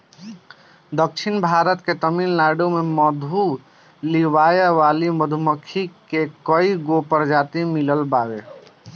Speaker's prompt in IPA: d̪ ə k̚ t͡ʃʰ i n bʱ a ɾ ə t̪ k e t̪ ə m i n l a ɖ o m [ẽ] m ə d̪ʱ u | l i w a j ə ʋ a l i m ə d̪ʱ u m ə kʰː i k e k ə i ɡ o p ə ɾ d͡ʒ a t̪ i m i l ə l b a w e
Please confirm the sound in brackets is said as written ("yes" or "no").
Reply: no